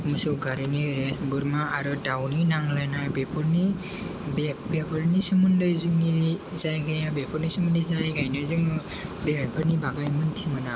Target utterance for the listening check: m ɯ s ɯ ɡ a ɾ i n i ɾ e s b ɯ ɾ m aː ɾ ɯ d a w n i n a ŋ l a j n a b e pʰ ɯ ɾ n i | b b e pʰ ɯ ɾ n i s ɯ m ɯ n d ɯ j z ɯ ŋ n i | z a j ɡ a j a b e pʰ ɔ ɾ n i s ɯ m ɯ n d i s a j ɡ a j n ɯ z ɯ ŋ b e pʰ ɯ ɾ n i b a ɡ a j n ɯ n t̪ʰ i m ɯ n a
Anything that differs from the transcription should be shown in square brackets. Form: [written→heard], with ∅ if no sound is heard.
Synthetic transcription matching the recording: m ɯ s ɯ ɡ a ɾ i n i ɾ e s b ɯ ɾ m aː ɾ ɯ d a w n i n a ŋ l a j n a b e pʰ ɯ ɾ n i | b b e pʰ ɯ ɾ n i s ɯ m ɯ n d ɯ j z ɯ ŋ n i | z a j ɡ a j a b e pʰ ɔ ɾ n i s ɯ m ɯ n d i [s→z] a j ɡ a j n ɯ z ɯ ŋ b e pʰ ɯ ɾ n i b a ɡ a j [n→m] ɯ n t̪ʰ i m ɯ n a